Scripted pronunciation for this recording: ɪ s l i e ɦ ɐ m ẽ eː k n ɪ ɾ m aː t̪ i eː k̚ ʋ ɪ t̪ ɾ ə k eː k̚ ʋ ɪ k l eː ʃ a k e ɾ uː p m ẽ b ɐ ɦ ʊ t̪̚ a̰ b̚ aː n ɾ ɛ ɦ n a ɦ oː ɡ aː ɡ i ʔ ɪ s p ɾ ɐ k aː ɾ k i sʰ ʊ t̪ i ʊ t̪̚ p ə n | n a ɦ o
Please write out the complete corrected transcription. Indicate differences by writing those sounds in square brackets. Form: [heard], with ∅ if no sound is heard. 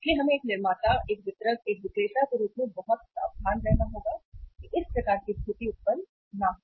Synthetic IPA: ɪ s l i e ɦ ɐ m ẽ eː k n ɪ ɾ m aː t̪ [a] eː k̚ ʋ ɪ t̪ ɾ ə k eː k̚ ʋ ɪ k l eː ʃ a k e ɾ uː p m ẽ b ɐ ɦ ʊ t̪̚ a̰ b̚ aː n ɾ ɛ ɦ n a ɦ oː ɡ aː [k] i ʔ ɪ s p ɾ ɐ k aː ɾ k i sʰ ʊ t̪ i ʊ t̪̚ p ə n | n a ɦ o